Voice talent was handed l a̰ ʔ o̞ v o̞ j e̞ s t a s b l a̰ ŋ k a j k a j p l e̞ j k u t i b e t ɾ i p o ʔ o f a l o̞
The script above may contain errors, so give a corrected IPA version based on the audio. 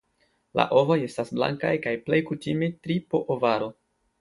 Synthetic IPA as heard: l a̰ ʔ o̞ v o̞ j e̞ s t a s b l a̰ ŋ k a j k a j p l e̞ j k u t i m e t ɾ i p o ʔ o v a ɾ o̞